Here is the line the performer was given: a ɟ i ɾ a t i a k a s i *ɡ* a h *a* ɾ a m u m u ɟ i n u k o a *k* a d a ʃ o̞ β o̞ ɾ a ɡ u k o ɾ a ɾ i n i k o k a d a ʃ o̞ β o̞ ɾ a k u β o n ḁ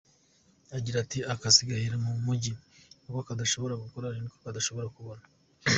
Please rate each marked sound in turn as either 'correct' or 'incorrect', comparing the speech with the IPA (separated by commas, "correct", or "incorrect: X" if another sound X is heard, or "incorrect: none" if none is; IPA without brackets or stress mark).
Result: correct, incorrect: i, correct